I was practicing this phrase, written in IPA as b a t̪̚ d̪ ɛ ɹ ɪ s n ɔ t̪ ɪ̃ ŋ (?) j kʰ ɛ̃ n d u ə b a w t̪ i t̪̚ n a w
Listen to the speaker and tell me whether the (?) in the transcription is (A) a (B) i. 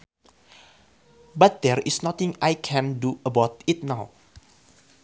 A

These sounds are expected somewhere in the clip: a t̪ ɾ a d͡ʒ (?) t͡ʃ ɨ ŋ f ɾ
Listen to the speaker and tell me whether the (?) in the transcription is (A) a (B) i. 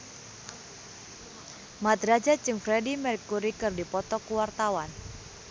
A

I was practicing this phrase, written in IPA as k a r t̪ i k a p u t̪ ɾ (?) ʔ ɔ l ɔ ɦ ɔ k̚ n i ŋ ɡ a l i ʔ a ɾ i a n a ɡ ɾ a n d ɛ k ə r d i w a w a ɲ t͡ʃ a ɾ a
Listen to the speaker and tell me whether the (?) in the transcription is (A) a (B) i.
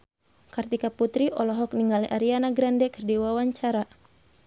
B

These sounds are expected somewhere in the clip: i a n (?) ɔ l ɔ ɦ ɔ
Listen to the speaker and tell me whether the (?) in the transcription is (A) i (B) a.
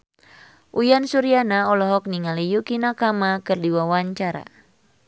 B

